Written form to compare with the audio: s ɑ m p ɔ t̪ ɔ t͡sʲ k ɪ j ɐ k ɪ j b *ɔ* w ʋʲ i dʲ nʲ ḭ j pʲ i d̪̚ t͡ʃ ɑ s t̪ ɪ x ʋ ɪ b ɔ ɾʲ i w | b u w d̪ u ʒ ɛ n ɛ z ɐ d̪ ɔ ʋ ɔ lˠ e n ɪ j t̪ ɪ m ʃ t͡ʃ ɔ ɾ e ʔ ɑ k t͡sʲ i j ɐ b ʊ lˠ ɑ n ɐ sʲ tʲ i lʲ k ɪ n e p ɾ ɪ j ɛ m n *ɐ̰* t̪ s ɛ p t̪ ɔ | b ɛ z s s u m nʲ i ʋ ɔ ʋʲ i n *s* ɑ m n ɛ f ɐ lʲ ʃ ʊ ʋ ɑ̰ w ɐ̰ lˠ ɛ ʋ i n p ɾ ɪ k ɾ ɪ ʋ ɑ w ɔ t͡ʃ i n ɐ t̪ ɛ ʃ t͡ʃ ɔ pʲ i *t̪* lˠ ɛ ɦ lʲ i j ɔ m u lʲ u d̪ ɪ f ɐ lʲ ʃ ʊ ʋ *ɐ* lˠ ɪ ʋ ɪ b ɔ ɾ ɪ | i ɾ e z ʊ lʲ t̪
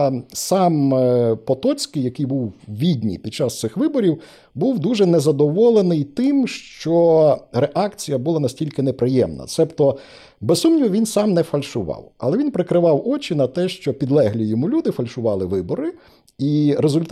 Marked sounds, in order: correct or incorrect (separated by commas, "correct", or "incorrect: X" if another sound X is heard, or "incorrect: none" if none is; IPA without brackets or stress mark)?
incorrect: u, correct, correct, incorrect: d̪, incorrect: ɑ